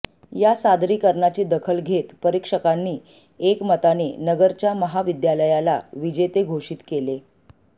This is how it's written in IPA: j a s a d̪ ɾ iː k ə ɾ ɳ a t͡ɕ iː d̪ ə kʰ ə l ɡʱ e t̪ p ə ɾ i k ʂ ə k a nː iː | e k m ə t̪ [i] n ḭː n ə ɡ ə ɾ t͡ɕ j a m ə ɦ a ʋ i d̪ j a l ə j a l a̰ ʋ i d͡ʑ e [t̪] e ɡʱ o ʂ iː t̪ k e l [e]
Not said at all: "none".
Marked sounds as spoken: a, t̪, e

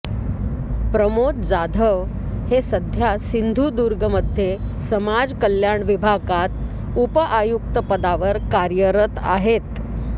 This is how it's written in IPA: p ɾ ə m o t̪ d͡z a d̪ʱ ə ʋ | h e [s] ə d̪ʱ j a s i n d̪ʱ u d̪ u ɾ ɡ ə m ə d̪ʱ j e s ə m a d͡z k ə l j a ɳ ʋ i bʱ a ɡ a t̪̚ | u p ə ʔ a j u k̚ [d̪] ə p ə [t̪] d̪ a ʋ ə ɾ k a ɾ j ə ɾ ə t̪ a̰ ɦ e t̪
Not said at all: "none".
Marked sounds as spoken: s, t̪, none

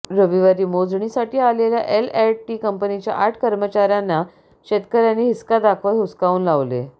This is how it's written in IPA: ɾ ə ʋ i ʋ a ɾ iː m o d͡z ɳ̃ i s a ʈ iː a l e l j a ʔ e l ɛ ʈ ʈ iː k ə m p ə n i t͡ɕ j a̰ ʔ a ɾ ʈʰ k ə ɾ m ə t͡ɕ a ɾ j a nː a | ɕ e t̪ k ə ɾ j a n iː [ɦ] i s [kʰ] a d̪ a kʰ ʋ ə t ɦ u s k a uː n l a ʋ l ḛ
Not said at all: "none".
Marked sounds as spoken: ɦ, k

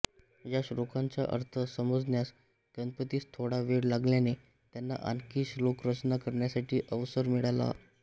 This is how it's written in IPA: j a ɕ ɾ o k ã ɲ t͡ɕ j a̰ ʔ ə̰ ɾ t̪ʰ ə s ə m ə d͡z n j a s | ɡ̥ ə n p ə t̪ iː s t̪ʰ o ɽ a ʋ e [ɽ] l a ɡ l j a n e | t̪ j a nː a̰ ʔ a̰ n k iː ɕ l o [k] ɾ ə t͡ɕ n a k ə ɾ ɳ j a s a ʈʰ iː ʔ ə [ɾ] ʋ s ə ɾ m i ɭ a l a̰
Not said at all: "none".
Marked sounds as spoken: ɽ, k, none

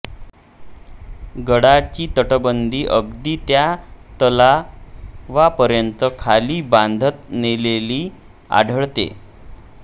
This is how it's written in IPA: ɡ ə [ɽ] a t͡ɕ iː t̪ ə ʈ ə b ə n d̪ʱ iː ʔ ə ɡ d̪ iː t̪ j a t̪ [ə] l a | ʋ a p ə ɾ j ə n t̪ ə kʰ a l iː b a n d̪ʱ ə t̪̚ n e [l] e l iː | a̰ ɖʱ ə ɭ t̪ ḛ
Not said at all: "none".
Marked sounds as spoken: ɽ, ə, l

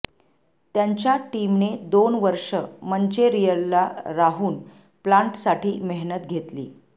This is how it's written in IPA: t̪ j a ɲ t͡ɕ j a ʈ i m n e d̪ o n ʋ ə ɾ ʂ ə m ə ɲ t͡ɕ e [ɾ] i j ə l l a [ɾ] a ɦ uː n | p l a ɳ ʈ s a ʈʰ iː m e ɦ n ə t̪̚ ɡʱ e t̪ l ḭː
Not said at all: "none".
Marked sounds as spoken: ɾ, ɾ

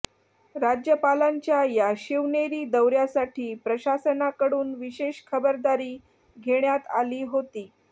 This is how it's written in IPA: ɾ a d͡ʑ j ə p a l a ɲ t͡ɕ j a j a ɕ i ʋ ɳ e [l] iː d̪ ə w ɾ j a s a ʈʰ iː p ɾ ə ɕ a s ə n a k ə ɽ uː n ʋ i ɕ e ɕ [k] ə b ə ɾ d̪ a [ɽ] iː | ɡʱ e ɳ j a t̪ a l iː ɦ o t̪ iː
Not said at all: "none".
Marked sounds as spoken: ɾ, kʰ, ɾ

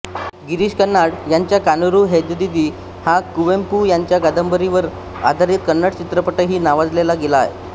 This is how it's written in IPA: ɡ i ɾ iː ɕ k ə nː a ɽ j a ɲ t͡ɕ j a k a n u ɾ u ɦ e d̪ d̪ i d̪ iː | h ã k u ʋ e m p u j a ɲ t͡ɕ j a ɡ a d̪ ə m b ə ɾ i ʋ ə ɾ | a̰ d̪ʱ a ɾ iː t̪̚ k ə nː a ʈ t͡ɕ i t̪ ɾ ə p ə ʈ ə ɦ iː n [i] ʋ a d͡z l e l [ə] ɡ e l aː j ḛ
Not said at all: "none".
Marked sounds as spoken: a, a

